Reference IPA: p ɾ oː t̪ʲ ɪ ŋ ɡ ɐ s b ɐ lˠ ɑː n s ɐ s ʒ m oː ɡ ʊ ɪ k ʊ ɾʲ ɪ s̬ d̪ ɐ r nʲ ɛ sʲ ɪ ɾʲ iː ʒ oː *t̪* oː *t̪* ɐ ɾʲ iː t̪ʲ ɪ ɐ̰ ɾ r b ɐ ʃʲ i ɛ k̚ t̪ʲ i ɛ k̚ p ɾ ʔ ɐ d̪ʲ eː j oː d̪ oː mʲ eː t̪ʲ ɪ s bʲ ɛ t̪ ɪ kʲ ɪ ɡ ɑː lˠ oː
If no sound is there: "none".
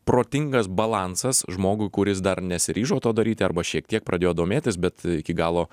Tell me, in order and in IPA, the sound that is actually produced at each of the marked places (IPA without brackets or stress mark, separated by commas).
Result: t̪, d̪